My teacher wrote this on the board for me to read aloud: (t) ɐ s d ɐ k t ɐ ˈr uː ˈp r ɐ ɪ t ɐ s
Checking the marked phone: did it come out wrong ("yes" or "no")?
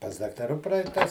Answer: yes